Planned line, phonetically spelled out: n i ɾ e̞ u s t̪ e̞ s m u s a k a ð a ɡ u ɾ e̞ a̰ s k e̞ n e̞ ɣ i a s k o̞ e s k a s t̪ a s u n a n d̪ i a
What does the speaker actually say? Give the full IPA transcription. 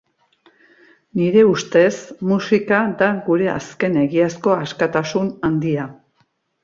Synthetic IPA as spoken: n i ɾ e̞ u s t̪ e̞ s m u s i k a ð a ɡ u ɾ e̞ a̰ s k e̞ n e̞ ɣ i a s k o̞ a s k a t̪ a s u n a n d̪ i a

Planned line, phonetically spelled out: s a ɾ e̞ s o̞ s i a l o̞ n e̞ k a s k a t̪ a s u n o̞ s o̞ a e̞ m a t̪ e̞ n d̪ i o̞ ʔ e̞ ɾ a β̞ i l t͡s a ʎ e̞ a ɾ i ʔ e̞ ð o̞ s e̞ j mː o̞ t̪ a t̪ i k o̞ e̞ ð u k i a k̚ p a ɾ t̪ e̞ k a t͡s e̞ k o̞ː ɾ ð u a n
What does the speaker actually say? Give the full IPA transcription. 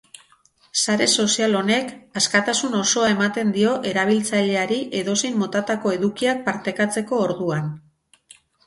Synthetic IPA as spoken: s a ɾ e̞ s o̞ s i a l o̞ n e̞ k a s k a t̪ a s u n o̞ s o̞ a e̞ m a t̪ e̞ n d̪ i o̞ ʔ e̞ ɾ a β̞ i l t͡s a ʎ e̞ a ɾ i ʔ e̞ ð o̞ s e̞ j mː o̞ t̪ a t̪ a k o̞ e̞ ð u k i a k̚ p a ɾ t̪ e̞ k a t͡s e̞ k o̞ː ɾ ð u a n

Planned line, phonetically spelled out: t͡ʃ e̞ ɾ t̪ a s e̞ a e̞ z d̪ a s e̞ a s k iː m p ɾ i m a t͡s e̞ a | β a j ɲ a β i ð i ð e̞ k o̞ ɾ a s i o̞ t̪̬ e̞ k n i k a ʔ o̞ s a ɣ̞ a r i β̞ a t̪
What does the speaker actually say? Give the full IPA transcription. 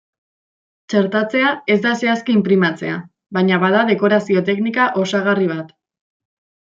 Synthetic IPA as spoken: t͡ʃ e̞ ɾ t̪ a t͡s e̞ a e̞ z d̪ a s e̞ a s k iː m p ɾ i m a t͡s e̞ a | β a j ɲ a β a ð a ð e̞ k o̞ ɾ a s i o̞ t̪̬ e̞ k n i k a ʔ o̞ s a ɣ̞ a r i β̞ a t̪

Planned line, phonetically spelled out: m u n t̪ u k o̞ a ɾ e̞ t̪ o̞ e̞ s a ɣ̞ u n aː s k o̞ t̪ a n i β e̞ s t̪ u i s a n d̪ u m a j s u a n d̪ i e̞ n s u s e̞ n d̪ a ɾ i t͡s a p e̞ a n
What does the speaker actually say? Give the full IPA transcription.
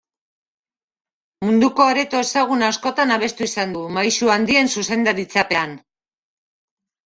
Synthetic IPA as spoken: m u n d̪ u k o̞ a ɾ e̞ t̪ o̞ e̞ s a ɣ̞ u n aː s k o̞ t̪ a n a β e̞ s t̪ u i s a n d̪ u m a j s u a n d̪ i e̞ n s u s e̞ n d̪ a ɾ i t͡s a p e̞ a n

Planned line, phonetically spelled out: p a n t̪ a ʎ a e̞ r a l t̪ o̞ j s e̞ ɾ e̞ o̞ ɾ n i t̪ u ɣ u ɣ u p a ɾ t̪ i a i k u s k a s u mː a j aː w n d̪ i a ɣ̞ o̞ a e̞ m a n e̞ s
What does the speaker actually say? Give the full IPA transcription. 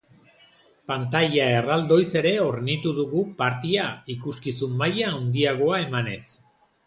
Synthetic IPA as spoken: p a n t̪ a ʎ a e̞ r a l d̪ o̞ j s e̞ ɾ e̞ o̞ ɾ n i t̪ u ð u ɣ u p a ɾ t̪ i a i k u s k i s u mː a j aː w n d̪ i a ɣ̞ o̞ a e̞ m a n e̞ s

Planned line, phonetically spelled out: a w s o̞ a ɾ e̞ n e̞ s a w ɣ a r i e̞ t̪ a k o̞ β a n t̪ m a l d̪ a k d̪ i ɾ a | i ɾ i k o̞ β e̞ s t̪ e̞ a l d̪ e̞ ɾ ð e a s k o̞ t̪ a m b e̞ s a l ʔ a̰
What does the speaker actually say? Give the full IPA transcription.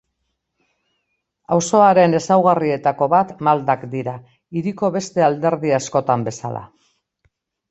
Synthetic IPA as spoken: a w s o̞ a ɾ e̞ n e̞ s a w ɣ a r i e̞ t̪ a k o̞ β a t̪ m a l d̪ a k d̪ i ɾ a | i ɾ i k o̞ β e̞ s t̪ e̞ a l d̪ e̞ ɾ ð i a s k o̞ t̪ a m b e̞ s a l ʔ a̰

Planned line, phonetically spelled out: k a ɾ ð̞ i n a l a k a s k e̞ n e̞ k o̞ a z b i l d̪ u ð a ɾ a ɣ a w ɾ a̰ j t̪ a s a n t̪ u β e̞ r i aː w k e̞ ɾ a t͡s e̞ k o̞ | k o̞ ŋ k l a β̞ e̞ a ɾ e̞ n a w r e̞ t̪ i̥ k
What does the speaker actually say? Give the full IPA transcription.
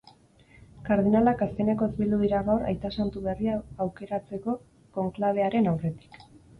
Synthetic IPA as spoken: k a ɾ ð̞ i n a l a k a s k e̞ n e̞ k o̞ e z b i l d̪ u ð i ɾ a ɣ a w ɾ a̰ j t̪ a s a n t̪ u β e̞ r i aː w k e̞ ɾ a t͡s e̞ k o̞ | k o̞ ŋ k l a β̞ e̞ a ɾ e̞ n a w r e̞ t̪ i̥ k

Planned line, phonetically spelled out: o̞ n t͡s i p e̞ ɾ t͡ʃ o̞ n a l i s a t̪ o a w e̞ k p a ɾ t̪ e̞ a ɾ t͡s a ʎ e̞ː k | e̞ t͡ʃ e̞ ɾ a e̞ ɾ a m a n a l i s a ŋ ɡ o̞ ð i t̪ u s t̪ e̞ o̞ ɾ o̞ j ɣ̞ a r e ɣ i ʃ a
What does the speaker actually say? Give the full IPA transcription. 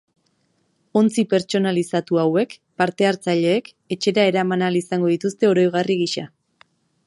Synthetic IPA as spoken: o̞ n t͡s i p e̞ ɾ t͡ʃ o̞ n a l i s a t̪ u a w e̞ k p a ɾ t̪ e̞ a ɾ t͡s a ʎ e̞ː k | e̞ t͡ʃ e̞ ɾ a e̞ ɾ a m a n a l i s a ŋ ɡ o̞ ð i t̪ u s t̪ e̞ o̞ ɾ o̞ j ɣ̞ a r i ɣ i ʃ a

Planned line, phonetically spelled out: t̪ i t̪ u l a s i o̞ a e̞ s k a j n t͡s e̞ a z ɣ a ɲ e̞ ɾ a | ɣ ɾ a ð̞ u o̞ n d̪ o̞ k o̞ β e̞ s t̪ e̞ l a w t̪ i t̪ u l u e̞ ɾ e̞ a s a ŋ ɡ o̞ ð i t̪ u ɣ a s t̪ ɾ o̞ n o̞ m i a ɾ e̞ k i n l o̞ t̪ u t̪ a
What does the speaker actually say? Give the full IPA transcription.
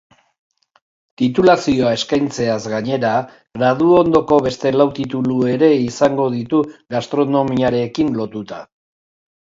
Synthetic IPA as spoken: t̪ i t̪ u l a s i o̞ a e̞ s k a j n t͡s e̞ a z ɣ a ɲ e̞ ɾ a | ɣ ɾ a ð̞ u o̞ n d̪ o̞ k o̞ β e̞ s t̪ e̞ l a w t̪ i t̪ u l u e̞ ɾ e̞ i s a ŋ ɡ o̞ ð i t̪ u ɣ a s t̪ ɾ o̞ n o̞ m i a ɾ e̞ k i n l o̞ t̪ u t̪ a

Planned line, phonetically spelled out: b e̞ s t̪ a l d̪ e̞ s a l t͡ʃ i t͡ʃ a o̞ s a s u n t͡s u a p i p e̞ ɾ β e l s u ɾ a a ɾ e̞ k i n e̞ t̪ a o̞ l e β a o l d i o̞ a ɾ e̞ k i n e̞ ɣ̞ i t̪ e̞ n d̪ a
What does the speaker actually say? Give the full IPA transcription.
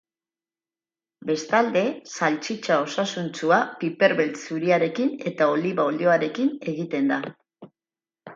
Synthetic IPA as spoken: b e̞ s t̪ a l d̪ e̞ s a l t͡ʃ i t͡ʃ a o̞ s a s u n t͡s u a p i p e̞ ɾ β e l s u ɾ i a ɾ e̞ k i n e̞ t̪ a o̞ l i β a o l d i o̞ a ɾ e̞ k i n e̞ ɣ̞ i t̪ e̞ n d̪ a

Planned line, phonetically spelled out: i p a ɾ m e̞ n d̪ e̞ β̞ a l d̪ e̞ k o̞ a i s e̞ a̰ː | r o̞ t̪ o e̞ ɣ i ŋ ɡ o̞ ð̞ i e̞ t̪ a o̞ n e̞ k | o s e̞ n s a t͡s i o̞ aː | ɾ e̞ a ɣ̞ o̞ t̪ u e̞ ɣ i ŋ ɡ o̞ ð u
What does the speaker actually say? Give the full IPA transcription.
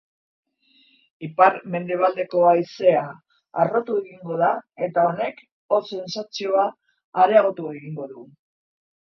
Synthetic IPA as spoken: i p a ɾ m e̞ n d̪ e̞ β̞ a l d̪ e̞ k o̞ a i s e̞ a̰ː | r o̞ t̪ u e̞ ɣ i ŋ ɡ o̞ ð̞ a e̞ t̪ a o̞ n e̞ k | o s e̞ n s a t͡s i o̞ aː | ɾ e̞ a ɣ̞ o̞ t̪ u e̞ ɣ i ŋ ɡ o̞ ð u

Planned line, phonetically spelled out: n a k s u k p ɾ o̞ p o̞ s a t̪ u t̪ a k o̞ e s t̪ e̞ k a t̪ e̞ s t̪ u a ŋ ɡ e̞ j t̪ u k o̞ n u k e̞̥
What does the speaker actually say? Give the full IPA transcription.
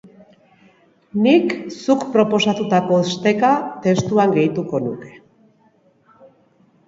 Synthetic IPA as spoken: n i k s u k p ɾ o̞ p o̞ s a t̪ u t̪ a k o̞ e s t̪ e̞ k a t̪ e̞ s t̪ u a ŋ ɡ e̞ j t̪ u k o̞ n u k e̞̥

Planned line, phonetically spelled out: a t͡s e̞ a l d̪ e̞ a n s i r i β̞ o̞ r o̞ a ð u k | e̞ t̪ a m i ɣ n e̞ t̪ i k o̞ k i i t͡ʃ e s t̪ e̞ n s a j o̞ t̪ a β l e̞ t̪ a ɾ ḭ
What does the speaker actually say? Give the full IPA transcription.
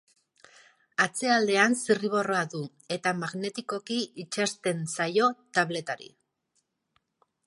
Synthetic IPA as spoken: a t͡s e̞ a l d̪ e̞ a n s i r i β̞ o̞ r o̞ a ð u | e̞ t̪ a m a ɣ n e̞ t̪ i k o̞ k i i t͡ʃ a s t̪ e̞ n s a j o̞ t̪ a β l e̞ t̪ a ɾ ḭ

